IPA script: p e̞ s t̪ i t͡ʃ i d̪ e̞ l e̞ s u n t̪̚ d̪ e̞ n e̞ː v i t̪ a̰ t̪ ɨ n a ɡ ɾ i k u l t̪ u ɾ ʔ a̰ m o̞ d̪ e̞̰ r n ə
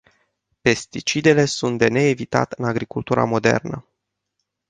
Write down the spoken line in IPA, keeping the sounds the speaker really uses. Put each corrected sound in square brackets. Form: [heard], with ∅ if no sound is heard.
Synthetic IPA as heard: p e̞ s t̪ i t͡ʃ i d̪ e̞ l e̞ s u n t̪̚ d̪ e̞ n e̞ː v i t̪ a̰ t̪ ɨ n a ɡ ɾ i k u l t̪ u ɾ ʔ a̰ m o̞ d̪ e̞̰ r n ə